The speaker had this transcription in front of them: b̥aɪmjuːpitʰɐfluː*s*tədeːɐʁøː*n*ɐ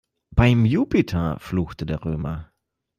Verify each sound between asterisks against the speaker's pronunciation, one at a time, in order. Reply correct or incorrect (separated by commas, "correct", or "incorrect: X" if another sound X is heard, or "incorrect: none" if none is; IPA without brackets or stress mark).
incorrect: x, incorrect: m